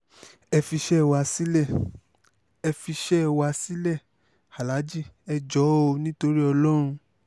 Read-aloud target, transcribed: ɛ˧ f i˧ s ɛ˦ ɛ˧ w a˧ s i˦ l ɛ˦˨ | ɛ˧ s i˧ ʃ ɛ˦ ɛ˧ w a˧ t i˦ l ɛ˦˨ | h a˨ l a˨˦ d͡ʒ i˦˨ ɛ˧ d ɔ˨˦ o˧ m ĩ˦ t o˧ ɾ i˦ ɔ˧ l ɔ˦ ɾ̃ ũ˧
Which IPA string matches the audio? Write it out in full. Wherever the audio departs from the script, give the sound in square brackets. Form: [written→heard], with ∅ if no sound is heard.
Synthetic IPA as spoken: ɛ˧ f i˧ [s→ʃ] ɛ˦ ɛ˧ w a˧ s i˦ l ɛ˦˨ | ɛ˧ [s→f] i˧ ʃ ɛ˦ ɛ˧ w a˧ [t→s] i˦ l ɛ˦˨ | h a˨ l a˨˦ d͡ʒ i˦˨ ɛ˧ [d→d͡ʒ] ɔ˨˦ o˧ [m→n] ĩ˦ t o˧ ɾ i˦ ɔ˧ l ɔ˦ ɾ̃ ũ˧